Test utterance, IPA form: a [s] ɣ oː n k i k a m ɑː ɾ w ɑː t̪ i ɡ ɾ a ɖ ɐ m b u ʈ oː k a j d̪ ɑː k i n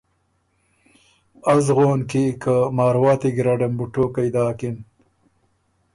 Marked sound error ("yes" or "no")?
yes